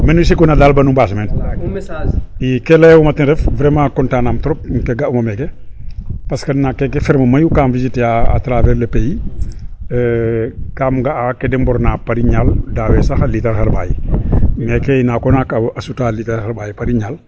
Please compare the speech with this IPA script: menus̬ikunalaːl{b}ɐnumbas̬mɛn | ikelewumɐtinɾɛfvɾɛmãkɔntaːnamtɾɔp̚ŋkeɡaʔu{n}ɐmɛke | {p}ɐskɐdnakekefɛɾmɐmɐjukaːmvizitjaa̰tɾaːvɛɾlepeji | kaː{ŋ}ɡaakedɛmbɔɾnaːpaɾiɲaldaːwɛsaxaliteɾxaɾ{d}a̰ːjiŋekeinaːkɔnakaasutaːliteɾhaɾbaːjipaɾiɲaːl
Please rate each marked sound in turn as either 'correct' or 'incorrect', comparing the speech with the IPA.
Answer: correct, incorrect, correct, incorrect, incorrect

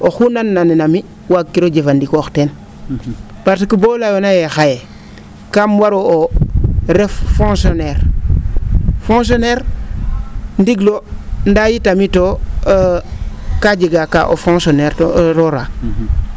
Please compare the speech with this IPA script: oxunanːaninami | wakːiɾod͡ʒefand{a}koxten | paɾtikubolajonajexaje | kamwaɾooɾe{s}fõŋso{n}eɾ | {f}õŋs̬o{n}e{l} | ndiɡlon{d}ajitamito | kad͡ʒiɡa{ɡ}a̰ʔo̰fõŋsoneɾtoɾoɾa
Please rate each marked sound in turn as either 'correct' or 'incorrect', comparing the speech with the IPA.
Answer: incorrect, incorrect, correct, correct, correct, incorrect, correct, incorrect

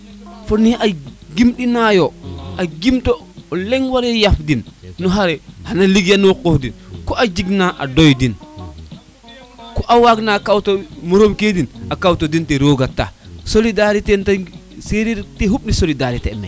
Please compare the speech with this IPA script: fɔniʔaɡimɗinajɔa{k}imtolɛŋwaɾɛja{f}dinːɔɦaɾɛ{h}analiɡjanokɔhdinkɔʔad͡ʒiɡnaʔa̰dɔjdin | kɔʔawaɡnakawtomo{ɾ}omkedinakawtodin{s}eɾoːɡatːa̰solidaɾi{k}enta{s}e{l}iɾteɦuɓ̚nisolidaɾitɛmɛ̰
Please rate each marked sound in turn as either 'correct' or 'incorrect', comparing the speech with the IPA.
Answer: incorrect, correct, correct, correct, incorrect, incorrect, correct, incorrect

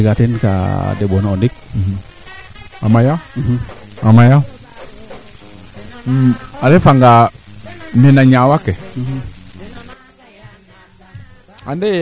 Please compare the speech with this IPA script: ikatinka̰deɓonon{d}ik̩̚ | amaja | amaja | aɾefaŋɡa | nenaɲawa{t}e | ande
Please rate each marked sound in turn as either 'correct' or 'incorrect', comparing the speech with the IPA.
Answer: correct, incorrect

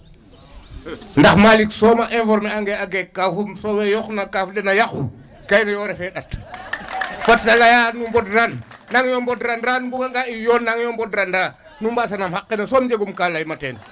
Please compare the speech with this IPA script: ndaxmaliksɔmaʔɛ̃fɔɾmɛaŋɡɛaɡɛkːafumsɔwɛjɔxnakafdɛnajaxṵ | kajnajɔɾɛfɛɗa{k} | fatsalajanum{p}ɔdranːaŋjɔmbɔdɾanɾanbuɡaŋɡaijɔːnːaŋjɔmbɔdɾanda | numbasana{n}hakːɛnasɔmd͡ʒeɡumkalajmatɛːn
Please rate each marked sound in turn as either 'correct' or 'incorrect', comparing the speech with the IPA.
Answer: incorrect, incorrect, incorrect

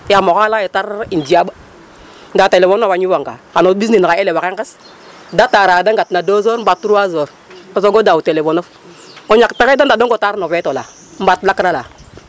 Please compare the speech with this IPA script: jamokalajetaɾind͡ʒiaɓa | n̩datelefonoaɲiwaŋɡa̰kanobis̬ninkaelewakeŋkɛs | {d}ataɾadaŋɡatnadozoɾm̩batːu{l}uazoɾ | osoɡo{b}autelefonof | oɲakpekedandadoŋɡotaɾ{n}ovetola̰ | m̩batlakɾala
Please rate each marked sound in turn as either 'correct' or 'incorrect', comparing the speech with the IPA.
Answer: correct, incorrect, incorrect, correct

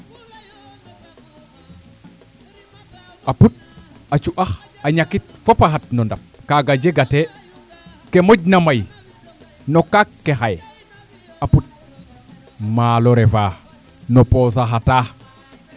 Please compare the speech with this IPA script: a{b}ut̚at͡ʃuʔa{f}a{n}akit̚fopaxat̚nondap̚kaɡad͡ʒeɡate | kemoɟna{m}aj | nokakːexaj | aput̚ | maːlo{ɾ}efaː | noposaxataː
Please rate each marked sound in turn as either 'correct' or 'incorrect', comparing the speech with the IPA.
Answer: incorrect, incorrect, incorrect, correct, correct

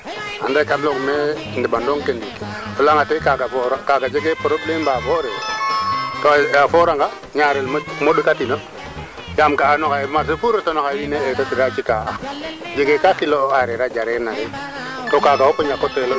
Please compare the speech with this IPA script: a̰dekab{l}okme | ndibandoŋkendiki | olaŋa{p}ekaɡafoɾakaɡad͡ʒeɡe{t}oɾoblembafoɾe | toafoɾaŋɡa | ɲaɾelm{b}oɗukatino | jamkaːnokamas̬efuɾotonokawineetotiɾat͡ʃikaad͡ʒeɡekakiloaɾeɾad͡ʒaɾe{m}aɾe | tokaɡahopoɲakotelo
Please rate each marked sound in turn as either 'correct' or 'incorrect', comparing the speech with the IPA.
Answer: correct, incorrect, incorrect, incorrect, incorrect

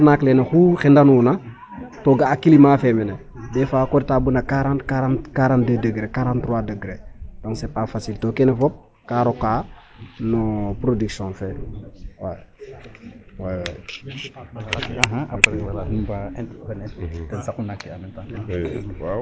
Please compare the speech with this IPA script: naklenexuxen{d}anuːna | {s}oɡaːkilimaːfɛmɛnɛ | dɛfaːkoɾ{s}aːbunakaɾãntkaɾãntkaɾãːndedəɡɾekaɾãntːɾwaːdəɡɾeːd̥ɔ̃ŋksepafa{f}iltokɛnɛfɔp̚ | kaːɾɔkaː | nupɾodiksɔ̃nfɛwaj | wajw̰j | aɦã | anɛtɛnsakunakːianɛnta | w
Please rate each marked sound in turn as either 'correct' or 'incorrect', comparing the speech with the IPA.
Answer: correct, incorrect, incorrect, incorrect

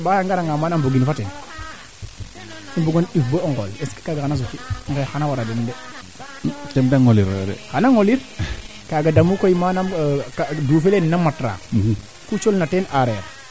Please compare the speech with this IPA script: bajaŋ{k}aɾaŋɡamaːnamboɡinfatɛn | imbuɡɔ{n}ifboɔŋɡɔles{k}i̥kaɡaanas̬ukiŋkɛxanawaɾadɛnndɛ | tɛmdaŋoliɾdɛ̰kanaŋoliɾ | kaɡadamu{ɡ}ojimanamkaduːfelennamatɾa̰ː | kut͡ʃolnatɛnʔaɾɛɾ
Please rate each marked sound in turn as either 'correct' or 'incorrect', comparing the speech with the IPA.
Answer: incorrect, correct, correct, incorrect

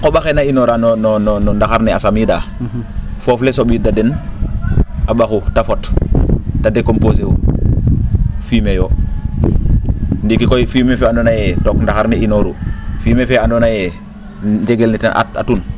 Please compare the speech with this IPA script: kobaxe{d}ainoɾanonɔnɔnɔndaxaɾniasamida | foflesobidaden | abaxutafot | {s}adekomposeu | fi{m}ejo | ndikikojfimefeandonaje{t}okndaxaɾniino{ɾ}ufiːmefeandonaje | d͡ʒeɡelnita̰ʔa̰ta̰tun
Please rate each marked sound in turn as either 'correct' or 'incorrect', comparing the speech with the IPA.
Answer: incorrect, incorrect, correct, correct, correct

